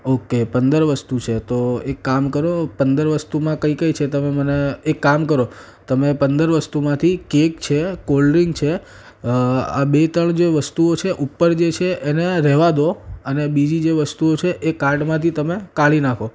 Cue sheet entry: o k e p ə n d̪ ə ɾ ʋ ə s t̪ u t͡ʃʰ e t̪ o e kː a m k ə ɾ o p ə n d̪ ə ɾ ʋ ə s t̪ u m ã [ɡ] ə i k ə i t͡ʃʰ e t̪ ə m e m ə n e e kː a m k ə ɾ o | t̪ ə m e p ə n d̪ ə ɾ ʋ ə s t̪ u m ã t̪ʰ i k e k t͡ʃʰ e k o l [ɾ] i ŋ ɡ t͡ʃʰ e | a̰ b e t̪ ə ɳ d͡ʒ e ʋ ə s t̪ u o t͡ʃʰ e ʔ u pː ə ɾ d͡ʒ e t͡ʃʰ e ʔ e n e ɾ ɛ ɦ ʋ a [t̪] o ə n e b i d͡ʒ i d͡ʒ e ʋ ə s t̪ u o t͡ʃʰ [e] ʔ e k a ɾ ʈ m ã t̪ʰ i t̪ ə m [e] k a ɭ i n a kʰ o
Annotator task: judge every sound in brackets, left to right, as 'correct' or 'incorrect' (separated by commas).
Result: incorrect, correct, incorrect, correct, correct